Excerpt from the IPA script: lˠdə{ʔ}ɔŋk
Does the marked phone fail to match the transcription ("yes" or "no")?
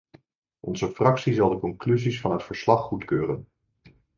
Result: yes